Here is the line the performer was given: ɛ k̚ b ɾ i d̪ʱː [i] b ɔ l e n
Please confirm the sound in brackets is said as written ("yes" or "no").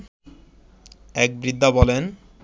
no